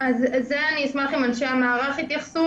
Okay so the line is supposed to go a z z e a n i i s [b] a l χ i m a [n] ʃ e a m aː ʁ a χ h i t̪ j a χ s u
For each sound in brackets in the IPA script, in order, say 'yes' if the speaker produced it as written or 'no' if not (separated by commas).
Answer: no, yes